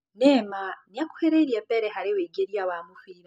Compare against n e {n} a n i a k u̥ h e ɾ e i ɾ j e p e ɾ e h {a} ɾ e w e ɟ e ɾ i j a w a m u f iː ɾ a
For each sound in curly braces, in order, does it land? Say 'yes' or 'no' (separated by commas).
no, yes